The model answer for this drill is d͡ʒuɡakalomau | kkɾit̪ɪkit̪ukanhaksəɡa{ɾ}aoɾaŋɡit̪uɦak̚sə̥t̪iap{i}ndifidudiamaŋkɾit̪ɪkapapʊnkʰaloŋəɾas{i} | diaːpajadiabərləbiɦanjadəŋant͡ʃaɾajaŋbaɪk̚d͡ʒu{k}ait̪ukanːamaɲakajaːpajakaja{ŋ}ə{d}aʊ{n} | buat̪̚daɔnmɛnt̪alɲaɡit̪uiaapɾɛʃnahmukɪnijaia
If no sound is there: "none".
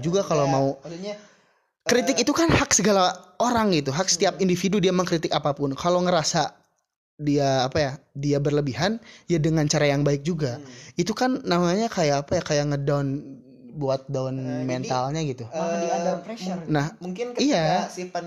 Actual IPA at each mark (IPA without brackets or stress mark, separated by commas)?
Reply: l, i, a, ɡ, ŋ, d, n